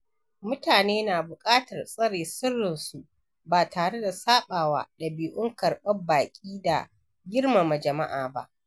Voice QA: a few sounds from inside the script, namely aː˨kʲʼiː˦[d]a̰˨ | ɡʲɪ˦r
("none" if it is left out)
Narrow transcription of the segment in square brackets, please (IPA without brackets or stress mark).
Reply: d